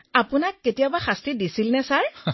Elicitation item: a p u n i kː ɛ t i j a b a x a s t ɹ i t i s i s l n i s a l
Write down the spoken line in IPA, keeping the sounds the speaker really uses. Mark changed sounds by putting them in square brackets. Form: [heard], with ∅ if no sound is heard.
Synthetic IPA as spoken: a p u n [a] kː [e] t i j a b a x a s t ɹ i [d] i s i [∅] l n [ɛ] s a [ɹ]